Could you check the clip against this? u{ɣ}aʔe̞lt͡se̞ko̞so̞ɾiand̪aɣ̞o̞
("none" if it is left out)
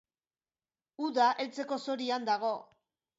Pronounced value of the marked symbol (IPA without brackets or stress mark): ð